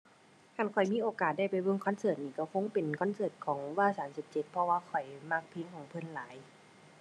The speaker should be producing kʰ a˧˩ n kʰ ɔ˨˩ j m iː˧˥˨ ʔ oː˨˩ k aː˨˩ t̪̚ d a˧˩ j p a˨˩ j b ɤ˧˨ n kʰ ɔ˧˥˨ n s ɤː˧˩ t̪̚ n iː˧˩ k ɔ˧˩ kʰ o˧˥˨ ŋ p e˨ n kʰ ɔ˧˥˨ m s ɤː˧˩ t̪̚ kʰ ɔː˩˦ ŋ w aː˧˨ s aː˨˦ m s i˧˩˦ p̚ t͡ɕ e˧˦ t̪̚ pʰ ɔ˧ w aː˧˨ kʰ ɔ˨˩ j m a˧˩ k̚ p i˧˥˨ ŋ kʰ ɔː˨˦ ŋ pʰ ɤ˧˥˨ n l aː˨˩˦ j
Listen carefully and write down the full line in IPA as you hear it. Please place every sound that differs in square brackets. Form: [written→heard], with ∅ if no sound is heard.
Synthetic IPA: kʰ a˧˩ n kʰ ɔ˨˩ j m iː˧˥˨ ʔ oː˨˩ k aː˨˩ t̪̚ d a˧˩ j p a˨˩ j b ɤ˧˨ [n→ŋ] kʰ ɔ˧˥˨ n s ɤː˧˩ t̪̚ n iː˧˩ k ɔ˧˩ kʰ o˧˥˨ ŋ p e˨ n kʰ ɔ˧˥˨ [m→n] s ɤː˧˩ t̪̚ kʰ ɔː˩˦ ŋ w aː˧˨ s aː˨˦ m s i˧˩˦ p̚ t͡ɕ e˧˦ t̪̚ pʰ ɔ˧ w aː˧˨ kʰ ɔ˨˩ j m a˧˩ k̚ [p→pʰ] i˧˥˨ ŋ kʰ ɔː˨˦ ŋ pʰ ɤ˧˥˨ n l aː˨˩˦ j

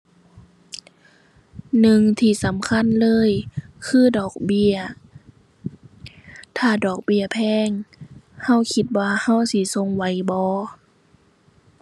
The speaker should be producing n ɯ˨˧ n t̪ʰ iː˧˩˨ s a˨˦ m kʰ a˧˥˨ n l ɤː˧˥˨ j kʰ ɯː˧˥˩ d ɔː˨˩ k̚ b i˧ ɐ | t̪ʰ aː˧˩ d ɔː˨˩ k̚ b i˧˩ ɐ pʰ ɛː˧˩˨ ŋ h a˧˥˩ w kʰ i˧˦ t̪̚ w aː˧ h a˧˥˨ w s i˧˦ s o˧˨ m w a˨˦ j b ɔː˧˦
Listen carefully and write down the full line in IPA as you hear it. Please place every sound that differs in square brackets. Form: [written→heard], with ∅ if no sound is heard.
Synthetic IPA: n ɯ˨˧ [n→ŋ] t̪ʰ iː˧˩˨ s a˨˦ m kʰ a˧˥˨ n l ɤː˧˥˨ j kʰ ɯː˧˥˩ d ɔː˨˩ k̚ b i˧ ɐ | t̪ʰ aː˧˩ d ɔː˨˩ k̚ b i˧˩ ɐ pʰ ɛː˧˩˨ ŋ h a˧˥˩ w kʰ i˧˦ t̪̚ w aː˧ h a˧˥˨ w s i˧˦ s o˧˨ [m→ŋ] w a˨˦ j b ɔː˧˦

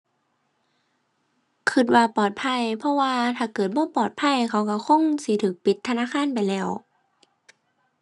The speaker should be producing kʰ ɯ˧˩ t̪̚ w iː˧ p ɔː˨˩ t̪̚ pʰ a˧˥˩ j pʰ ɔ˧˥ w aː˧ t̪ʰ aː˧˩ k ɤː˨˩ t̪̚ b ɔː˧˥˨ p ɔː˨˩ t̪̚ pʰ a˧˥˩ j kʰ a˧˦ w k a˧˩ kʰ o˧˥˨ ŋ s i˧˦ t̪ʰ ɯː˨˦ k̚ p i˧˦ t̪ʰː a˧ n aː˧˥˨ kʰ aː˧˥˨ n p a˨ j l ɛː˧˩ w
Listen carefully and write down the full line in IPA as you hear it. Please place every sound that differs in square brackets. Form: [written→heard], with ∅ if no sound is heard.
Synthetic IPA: kʰ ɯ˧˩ t̪̚ w [iː˧→aː˧] p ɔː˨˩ t̪̚ pʰ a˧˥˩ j pʰ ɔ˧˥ w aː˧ t̪ʰ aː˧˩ k ɤː˨˩ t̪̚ b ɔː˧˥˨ p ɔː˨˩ t̪̚ pʰ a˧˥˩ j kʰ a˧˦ w k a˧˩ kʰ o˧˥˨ ŋ s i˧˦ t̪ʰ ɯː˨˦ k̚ p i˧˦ t̪ʰː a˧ n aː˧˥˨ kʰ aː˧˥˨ n p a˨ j l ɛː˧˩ w

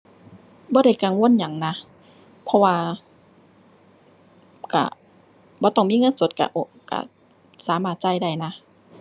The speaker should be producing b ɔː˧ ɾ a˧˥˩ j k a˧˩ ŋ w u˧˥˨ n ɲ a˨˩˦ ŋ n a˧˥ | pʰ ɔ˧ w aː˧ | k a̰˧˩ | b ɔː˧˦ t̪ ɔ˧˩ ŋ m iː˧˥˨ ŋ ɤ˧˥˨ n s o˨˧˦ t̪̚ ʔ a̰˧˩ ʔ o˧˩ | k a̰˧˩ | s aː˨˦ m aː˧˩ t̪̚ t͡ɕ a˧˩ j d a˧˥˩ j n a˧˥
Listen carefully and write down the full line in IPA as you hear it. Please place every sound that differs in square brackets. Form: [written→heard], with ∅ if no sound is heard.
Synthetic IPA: b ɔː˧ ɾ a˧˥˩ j k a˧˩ ŋ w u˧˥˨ n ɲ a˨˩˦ ŋ n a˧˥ | pʰ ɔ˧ w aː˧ | k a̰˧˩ | b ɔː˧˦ t̪ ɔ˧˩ ŋ m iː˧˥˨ ŋ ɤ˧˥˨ n s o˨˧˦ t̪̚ [ʔ→k] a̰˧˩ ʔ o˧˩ | k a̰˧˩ | s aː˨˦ m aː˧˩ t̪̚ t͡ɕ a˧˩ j d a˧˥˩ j n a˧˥

